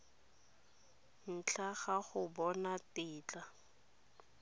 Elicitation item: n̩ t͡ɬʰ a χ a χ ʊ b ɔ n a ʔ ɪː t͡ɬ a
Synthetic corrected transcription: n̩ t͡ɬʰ a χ a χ ʊ b ɔ n a t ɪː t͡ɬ a